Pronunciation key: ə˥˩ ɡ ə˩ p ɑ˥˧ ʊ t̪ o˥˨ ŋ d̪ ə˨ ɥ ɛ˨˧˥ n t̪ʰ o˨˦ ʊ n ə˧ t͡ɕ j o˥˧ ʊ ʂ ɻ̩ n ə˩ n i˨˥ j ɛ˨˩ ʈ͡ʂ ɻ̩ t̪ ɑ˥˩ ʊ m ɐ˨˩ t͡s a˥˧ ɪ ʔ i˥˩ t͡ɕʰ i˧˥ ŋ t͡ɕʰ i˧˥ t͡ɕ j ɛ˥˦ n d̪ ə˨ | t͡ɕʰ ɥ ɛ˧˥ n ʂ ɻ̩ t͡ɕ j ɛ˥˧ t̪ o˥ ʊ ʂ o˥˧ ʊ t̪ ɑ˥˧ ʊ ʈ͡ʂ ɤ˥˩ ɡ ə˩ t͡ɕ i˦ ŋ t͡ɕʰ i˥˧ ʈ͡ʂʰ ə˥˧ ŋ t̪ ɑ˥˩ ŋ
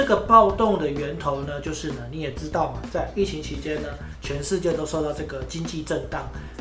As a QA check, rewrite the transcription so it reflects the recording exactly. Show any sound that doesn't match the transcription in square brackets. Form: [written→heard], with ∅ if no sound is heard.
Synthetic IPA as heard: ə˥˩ ɡ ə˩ p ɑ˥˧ ʊ t̪ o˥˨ ŋ d̪ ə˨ ɥ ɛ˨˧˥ n t̪ʰ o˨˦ ʊ n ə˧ t͡ɕ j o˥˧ ʊ ʂ ɻ̩ n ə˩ n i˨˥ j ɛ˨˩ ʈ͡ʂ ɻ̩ t̪ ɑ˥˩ ʊ m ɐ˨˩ t͡s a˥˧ ɪ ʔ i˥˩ t͡ɕʰ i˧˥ ŋ t͡ɕʰ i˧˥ t͡ɕ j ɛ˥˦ n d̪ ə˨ | t͡ɕʰ ɥ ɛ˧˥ n ʂ ɻ̩ t͡ɕ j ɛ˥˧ t̪ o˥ ʊ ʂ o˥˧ ʊ t̪ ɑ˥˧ ʊ ʈ͡ʂ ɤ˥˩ ɡ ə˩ t͡ɕ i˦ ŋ [t͡ɕʰ→t͡ɕ] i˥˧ [ʈ͡ʂʰ→ʈ͡ʂ] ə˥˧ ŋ t̪ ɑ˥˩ ŋ